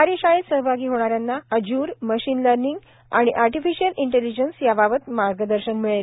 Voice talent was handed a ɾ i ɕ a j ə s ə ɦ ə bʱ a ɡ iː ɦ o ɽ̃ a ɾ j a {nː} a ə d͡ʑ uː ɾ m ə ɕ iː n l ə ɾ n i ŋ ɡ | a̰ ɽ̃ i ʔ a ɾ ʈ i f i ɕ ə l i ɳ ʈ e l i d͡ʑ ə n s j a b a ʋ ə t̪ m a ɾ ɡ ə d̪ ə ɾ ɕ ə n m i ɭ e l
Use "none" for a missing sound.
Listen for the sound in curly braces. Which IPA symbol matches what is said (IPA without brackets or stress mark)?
nː